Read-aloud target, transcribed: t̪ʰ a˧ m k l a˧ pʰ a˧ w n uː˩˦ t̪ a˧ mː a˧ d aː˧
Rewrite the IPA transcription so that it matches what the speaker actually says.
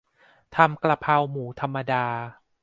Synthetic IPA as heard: t̪ʰ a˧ m k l a˧ pʰ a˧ w m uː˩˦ t̪ʰ a˧ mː a˧ d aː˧